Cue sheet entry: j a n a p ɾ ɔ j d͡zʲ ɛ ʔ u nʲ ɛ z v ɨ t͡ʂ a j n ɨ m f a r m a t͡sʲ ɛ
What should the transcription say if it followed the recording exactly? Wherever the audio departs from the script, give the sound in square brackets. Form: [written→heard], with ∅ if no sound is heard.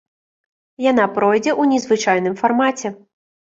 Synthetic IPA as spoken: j a n a p ɾ ɔ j d͡zʲ ɛ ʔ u nʲ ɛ z v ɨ t͡ʂ a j n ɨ m f a r m a t͡sʲ ɛ